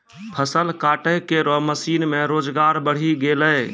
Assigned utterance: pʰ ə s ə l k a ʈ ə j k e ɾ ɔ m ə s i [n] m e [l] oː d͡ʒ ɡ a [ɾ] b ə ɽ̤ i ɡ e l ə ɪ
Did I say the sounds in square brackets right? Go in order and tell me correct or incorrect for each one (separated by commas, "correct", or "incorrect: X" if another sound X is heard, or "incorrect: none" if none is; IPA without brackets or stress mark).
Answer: correct, incorrect: ɾ, correct